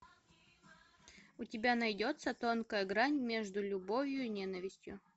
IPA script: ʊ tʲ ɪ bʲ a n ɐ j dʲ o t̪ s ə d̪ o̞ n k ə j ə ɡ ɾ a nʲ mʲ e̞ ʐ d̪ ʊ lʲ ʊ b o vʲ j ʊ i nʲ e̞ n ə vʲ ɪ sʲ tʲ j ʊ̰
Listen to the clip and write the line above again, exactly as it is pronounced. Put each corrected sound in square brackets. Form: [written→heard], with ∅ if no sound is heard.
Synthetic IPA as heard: ʊ tʲ ɪ bʲ a n ɐ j dʲ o t̪ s ə [d̪→t̪] o̞ n k ə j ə ɡ ɾ a nʲ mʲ e̞ ʐ d̪ ʊ lʲ ʊ b o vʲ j ʊ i nʲ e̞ n ə vʲ ɪ sʲ tʲ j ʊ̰

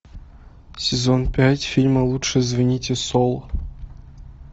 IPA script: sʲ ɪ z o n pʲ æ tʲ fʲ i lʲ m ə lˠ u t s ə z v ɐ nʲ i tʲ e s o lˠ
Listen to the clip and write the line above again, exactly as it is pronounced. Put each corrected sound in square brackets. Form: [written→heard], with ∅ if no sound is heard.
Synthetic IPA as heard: sʲ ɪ z o n pʲ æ tʲ fʲ i lʲ m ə lˠ u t [s→ʂ] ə z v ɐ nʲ i tʲ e s o lˠ

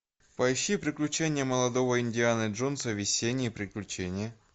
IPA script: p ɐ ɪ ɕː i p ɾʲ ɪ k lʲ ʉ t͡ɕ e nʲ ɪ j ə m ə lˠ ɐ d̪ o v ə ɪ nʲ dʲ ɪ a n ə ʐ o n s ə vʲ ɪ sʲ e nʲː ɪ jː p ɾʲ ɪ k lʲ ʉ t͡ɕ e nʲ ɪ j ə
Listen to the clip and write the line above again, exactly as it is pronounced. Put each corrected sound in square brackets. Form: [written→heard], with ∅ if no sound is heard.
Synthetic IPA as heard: p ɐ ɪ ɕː i p ɾʲ ɪ k lʲ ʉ t͡ɕ e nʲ ɪ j ə m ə lˠ ɐ d̪ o v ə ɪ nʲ dʲ ɪ a n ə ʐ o n s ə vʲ ɪ sʲ e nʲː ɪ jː p ɾʲ ɪ k lʲ ʉ t͡ɕ e nʲ ɪ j ə

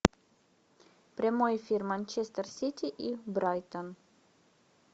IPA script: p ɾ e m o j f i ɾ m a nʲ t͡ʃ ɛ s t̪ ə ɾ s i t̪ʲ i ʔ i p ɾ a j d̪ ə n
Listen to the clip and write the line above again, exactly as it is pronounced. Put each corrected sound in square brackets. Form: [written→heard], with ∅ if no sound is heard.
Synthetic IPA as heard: p ɾ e m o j f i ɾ m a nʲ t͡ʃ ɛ s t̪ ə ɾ s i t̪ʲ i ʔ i [p→b] ɾ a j [d̪→t̪] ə n

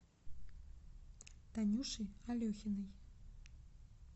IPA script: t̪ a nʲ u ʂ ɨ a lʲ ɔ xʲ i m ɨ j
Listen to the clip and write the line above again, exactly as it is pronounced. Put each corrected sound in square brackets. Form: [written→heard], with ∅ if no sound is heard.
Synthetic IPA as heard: t̪ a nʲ u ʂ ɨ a lʲ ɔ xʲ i [m→n] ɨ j

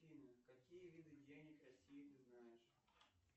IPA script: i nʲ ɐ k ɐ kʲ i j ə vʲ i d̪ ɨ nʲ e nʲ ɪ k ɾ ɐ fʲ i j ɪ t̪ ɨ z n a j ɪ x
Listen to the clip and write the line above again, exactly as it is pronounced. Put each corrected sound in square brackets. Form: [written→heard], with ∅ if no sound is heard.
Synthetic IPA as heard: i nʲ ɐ k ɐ kʲ i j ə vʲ i d̪ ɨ [nʲ→dʲ] e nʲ ɪ k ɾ ɐ [fʲ→sʲ] i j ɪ t̪ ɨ z n a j ɪ [x→ʂ]

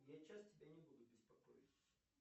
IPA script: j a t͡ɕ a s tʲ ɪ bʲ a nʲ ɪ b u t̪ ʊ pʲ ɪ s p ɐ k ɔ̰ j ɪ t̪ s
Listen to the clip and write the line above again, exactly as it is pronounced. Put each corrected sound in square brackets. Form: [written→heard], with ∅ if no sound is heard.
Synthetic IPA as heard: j a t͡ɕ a s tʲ ɪ bʲ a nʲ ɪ b u [t̪→d̪] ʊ [pʲ→bʲ] ɪ s p ɐ k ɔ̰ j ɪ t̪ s

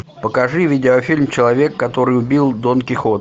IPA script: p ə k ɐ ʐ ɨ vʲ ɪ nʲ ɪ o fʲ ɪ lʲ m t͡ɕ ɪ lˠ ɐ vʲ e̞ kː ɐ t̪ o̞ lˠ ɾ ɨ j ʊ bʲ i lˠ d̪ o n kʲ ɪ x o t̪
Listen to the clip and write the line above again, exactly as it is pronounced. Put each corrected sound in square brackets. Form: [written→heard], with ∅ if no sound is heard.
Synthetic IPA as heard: p ə k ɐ ʐ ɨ vʲ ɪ [nʲ→dʲ] ɪ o fʲ [ɪ→i] lʲ m t͡ɕ ɪ lˠ ɐ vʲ e̞ kː ɐ t̪ o̞ [lˠ→∅] ɾ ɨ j ʊ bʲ i lˠ d̪ o n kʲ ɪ x o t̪

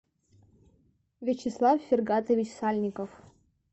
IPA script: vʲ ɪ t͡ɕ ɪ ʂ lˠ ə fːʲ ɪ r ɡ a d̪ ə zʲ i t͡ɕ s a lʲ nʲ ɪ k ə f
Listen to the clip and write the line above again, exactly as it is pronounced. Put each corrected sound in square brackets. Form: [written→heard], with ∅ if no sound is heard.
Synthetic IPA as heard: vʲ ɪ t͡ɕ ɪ [ʂ→s] lˠ [ə→a] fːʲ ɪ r ɡ a [d̪→t̪] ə [zʲ→vʲ] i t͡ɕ s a lʲ nʲ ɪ k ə f

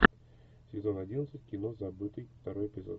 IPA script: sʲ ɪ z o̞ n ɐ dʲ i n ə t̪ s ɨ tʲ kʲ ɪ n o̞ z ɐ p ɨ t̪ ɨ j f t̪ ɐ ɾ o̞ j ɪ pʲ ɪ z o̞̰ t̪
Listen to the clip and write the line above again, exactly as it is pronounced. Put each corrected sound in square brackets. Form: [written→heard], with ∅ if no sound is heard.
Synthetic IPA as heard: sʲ ɪ z o̞ n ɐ dʲ i n ə t̪ s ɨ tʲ kʲ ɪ n o̞ z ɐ [p→b] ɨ t̪ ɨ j f t̪ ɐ ɾ o̞ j ɪ pʲ ɪ z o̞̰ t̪

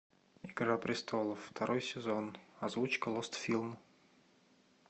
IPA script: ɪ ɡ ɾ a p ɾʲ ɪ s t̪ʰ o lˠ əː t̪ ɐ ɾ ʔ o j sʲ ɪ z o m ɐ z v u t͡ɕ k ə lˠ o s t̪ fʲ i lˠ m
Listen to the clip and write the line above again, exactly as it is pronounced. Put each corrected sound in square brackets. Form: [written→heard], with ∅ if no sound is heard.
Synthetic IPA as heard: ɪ ɡ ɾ a p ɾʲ ɪ s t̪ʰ o lˠ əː t̪ ɐ ɾ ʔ o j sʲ ɪ z o [m→n] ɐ z v u t͡ɕ k ə lˠ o s t̪ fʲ i lˠ m

